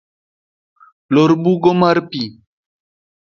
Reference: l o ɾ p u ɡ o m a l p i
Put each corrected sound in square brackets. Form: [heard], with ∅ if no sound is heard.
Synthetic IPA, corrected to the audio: l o ɾ [b] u ɡ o m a [ɾ] p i